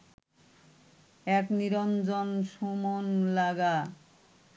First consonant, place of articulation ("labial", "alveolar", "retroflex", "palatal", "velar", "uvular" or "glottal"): velar